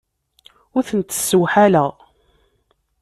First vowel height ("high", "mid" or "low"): high